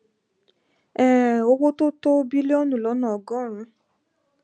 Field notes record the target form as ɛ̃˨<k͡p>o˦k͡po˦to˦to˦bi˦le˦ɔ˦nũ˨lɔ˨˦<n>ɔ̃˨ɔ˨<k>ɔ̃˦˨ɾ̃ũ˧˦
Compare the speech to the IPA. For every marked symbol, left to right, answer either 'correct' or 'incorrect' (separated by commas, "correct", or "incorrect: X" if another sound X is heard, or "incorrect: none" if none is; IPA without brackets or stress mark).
incorrect: none, correct, incorrect: ɡ